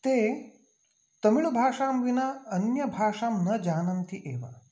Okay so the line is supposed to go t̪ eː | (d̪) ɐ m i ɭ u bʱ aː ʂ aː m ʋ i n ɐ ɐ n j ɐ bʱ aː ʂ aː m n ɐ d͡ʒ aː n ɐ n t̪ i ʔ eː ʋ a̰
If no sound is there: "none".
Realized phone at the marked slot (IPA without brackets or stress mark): t̪